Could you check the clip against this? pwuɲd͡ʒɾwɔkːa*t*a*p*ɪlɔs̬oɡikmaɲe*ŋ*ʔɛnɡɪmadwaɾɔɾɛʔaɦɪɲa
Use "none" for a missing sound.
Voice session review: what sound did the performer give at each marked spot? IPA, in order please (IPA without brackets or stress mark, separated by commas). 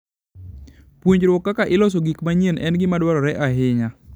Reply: k, ʔ, n